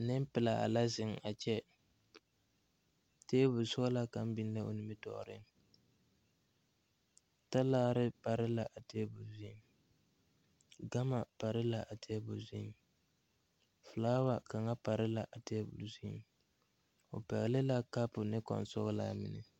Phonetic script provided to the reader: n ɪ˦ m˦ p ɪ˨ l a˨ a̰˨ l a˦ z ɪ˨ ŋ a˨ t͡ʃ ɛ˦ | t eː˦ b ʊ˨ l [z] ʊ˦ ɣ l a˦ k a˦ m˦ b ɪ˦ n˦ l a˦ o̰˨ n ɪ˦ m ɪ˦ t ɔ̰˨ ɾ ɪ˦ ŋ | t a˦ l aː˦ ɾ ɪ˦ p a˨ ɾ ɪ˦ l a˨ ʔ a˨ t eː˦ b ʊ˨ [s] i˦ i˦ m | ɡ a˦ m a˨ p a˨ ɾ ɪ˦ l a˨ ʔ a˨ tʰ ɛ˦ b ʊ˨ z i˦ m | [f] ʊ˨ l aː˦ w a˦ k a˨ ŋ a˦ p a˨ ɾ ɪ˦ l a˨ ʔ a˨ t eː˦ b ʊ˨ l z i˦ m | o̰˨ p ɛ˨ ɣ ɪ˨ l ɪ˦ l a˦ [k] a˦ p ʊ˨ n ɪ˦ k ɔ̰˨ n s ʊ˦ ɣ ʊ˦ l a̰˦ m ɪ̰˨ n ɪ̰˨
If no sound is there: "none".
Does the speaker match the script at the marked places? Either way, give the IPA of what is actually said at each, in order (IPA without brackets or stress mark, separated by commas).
s, z, f, k